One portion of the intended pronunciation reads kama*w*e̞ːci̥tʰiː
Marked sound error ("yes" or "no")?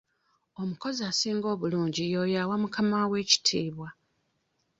no